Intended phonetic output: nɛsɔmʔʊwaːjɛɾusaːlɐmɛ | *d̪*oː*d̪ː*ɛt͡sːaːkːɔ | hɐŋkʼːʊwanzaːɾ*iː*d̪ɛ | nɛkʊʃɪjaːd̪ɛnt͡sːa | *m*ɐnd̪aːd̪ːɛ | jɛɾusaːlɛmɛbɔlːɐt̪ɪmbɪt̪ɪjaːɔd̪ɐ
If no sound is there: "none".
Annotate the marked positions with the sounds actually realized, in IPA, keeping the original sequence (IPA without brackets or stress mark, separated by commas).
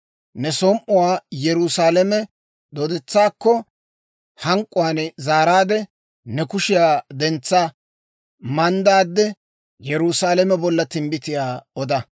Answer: d̪, d̪, aː, m